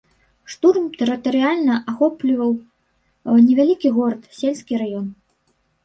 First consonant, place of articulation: retroflex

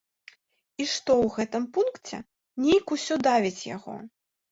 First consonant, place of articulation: retroflex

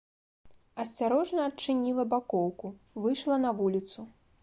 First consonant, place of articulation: alveolar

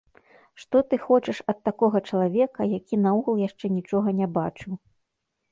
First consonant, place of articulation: retroflex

